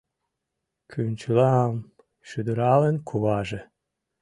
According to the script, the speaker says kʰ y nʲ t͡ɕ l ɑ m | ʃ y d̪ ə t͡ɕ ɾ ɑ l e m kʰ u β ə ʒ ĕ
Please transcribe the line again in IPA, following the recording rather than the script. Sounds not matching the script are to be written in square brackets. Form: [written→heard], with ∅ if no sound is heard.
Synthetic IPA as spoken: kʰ y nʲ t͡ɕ l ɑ m | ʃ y d̪ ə [t͡ɕ→∅] ɾ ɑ l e [m→n] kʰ u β [ə→ɑ] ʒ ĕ